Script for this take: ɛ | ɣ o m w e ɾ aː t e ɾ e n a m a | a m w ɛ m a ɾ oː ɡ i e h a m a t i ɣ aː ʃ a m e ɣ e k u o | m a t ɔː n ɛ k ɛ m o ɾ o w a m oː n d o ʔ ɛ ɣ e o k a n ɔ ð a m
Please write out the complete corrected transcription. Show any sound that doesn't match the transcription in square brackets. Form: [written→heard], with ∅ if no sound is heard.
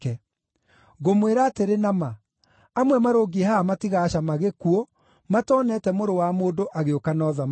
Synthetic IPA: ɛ | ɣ o m w e ɾ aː t e ɾ e n a m a | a m w ɛ m a ɾ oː ɡ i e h a m a t i ɣ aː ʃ a m [e→a] ɣ e k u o | m a t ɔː n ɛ [k→t] ɛ m o ɾ o w a m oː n d o ʔ [ɛ→a] ɣ e o k a n ɔ ð a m